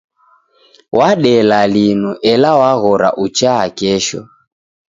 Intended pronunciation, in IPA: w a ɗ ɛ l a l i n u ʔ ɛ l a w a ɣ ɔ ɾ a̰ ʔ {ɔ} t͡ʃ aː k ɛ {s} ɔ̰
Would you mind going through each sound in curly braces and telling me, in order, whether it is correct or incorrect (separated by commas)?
incorrect, incorrect